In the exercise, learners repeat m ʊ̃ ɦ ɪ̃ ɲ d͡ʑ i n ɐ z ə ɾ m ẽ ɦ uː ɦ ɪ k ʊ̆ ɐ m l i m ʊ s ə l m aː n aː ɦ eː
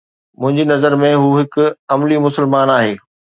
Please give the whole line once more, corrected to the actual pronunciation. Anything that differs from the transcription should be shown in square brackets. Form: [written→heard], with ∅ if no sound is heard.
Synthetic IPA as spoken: m ʊ̃ ɦ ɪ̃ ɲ d͡ʑ i n ɐ z ə ɾ m ẽ ɦ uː ɦ ɪ k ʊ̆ ɐ m l i m ʊ s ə l m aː n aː ɦ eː